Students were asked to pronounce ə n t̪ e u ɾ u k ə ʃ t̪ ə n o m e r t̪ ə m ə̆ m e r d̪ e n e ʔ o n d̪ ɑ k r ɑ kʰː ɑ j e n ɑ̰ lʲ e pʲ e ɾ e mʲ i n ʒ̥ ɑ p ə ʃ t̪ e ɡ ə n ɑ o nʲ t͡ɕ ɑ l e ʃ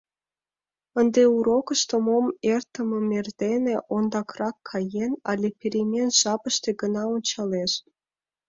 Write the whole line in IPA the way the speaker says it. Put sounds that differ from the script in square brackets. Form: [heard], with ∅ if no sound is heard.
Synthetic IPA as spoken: ə n [d̪] e u ɾ [o] k ə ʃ t̪ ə [m] o m e r t̪ ə m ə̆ m e r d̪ e n e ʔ o n d̪ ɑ k r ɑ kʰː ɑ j e n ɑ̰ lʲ e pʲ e ɾ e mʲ [e] n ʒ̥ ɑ p ə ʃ t̪ e ɡ ə n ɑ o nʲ t͡ɕ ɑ l e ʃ

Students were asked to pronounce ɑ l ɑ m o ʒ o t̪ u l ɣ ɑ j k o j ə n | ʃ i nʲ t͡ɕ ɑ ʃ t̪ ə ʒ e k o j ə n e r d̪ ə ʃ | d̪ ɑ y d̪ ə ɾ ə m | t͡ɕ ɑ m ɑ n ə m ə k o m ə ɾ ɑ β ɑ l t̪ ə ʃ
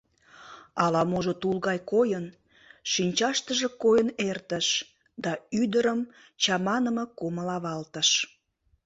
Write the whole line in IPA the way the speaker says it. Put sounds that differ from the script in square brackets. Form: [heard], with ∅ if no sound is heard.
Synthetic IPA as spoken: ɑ l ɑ m o ʒ o t̪ u l ɣ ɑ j k o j ə n | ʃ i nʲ t͡ɕ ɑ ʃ t̪ ə ʒ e k o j ə n e r [t̪] ə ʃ | d̪ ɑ y d̪ ə ɾ ə m | t͡ɕ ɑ m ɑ n ə m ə k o m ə [l] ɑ β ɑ l t̪ ə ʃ

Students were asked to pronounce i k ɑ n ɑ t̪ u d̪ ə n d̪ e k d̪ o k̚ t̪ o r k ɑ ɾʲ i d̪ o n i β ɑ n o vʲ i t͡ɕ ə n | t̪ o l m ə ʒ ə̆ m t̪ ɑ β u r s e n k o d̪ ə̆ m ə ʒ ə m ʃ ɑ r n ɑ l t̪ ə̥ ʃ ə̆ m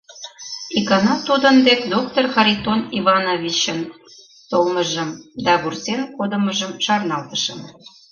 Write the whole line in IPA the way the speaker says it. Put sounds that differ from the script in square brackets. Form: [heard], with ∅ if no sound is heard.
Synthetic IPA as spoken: i k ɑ n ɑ t̪ u d̪ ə n d̪ e k d̪ o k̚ t̪ o r [x] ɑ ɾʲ i [t̪] o n i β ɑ n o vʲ i t͡ɕ ə n | t̪ o l m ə ʒ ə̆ m [d̪] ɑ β u r s e n k o d̪ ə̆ m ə ʒ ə m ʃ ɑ r n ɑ l t̪ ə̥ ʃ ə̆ m

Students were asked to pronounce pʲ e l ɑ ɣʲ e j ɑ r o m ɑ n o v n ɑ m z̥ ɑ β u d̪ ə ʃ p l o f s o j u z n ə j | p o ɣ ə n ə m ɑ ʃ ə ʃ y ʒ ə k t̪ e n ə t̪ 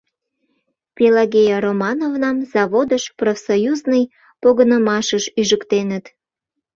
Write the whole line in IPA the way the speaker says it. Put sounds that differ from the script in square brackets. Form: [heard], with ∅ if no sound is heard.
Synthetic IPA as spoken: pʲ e l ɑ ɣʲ e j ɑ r o m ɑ n o v n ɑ m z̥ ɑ β [o] d̪ ə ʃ p [r] o f s o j u z n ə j | p o ɣ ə n ə m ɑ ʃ ə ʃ y ʒ ə k t̪ e n ə t̪

